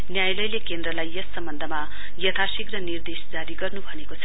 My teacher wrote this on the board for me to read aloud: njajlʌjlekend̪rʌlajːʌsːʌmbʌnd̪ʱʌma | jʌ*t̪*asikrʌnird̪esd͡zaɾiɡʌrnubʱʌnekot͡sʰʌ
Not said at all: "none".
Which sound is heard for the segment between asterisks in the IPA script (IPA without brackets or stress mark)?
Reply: t̪ʰ